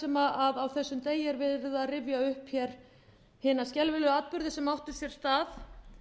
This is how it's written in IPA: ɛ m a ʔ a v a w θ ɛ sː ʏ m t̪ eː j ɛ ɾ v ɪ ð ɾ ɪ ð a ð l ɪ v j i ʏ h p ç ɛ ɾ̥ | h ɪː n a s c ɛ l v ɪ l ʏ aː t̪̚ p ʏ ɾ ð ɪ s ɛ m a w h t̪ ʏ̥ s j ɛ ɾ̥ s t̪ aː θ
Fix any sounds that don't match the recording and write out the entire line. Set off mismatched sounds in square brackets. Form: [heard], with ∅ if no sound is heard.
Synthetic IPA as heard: ɛ m a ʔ a [ð] a w θ ɛ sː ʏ m t̪ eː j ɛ ɾ v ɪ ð ɾ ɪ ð a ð [r] ɪ v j [a] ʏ h p ç ɛ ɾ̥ | h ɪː n a s c ɛ l v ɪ l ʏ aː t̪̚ p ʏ ɾ ð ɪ s ɛ m a w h t̪ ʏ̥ s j ɛ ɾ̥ s t̪ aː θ